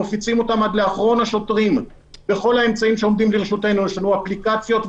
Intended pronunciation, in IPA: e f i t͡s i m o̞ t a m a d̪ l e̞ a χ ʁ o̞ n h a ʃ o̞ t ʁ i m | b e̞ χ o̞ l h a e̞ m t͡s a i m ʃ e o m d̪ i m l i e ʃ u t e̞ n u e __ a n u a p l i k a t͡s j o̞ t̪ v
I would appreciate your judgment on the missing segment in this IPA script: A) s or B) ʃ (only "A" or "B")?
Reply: B